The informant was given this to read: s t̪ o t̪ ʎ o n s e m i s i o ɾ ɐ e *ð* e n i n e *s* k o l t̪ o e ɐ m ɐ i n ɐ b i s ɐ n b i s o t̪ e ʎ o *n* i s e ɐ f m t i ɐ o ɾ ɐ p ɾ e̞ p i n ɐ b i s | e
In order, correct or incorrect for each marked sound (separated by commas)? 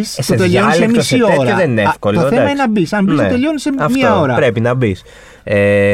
correct, incorrect, correct